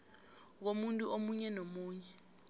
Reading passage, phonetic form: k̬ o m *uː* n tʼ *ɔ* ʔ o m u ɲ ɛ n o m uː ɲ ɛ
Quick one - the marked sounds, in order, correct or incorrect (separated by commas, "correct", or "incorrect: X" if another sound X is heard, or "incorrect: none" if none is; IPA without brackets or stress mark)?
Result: incorrect: u, incorrect: u